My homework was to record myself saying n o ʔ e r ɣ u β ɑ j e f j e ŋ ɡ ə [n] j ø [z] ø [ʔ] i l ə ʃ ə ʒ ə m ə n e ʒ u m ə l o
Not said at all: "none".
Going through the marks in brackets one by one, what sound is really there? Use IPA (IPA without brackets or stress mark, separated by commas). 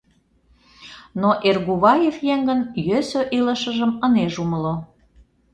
n, s, ʔ